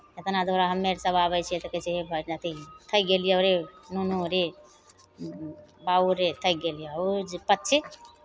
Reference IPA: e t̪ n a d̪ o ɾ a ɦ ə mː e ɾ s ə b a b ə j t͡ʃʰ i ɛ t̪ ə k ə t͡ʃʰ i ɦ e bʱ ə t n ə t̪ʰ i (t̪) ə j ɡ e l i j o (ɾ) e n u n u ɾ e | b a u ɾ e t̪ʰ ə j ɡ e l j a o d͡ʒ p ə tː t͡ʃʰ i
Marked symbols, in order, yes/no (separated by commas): no, yes